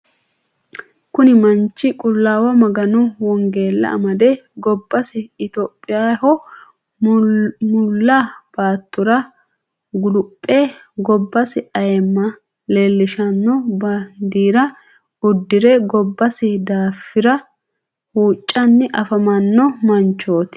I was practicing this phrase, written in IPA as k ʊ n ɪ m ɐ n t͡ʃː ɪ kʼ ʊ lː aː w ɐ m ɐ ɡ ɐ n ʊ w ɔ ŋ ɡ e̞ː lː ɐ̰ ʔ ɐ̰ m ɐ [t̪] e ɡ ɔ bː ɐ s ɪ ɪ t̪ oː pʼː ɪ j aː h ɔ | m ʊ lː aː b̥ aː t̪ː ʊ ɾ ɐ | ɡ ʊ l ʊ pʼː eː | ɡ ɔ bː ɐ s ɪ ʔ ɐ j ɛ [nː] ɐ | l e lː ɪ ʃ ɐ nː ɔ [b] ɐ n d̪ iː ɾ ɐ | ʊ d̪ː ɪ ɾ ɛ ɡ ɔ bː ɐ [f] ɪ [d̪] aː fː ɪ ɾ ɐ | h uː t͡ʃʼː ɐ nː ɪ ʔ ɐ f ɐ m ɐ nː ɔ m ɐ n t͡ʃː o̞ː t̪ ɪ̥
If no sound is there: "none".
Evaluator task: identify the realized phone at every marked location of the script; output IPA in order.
d̪, mː, b, s, d̪

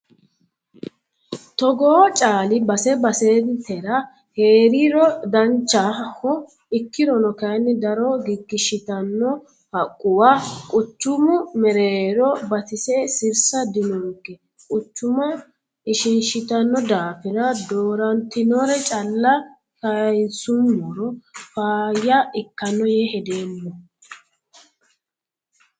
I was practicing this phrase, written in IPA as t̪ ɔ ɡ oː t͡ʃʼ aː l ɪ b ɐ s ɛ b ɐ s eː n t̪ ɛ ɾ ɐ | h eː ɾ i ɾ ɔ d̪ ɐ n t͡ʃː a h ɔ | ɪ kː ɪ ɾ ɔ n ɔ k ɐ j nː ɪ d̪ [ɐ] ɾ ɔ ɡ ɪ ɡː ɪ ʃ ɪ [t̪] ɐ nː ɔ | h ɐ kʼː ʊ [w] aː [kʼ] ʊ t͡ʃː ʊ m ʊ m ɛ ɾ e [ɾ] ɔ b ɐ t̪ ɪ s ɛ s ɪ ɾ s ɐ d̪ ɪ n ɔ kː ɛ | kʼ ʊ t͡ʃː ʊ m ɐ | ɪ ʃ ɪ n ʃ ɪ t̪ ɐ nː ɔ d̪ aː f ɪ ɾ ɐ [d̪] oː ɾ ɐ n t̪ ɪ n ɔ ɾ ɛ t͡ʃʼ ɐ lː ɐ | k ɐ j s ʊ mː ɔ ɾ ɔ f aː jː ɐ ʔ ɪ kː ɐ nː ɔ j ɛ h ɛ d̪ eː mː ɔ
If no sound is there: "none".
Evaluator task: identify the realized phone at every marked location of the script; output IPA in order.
ɐ, t̪, w, kʼ, ɾ, d̪

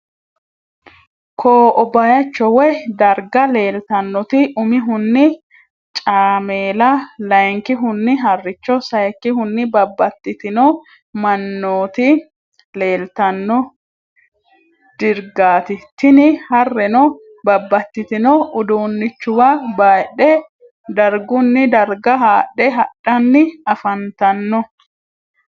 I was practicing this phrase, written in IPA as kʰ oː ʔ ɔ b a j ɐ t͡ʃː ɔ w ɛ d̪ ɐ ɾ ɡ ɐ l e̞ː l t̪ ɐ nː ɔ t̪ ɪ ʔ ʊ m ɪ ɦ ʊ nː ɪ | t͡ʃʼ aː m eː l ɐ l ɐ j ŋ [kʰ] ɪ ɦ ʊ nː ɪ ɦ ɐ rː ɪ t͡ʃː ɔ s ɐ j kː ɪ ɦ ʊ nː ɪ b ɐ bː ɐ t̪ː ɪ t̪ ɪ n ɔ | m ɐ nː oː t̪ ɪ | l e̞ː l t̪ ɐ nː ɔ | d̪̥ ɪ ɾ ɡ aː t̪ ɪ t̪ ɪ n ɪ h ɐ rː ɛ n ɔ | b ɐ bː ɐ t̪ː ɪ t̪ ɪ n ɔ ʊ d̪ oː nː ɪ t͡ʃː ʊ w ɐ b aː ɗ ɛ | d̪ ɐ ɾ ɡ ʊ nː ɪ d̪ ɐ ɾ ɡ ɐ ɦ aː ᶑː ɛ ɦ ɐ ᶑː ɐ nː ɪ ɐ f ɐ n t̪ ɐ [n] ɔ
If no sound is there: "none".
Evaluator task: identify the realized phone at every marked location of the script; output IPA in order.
k, nː

